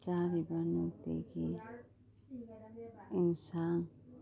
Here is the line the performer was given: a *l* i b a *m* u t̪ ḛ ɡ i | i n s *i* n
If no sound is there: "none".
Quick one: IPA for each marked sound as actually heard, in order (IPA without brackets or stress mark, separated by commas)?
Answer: ɾ, n, a